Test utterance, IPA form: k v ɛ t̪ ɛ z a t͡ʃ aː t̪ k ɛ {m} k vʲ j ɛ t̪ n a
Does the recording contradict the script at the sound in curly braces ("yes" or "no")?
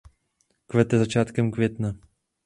no